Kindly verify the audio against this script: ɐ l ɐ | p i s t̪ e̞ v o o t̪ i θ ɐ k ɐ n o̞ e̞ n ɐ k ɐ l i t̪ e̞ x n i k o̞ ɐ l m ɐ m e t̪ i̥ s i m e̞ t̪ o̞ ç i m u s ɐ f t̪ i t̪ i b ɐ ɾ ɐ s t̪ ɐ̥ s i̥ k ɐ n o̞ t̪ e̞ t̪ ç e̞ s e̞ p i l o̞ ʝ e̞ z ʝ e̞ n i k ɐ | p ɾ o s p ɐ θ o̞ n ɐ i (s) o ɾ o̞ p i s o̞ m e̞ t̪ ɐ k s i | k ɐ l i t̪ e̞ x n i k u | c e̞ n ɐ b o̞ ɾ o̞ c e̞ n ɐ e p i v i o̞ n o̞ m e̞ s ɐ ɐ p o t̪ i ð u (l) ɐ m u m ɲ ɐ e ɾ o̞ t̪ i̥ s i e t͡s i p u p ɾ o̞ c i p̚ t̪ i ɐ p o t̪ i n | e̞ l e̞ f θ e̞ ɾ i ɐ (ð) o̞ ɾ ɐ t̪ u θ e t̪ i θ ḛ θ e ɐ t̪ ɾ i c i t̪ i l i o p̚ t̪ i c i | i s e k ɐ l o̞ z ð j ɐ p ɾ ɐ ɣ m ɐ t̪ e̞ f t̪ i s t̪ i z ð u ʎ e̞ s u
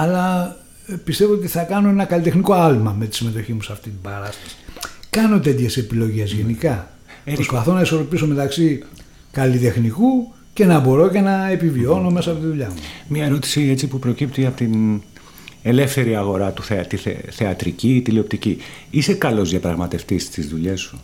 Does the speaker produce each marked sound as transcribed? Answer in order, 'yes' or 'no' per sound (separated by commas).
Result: yes, no, no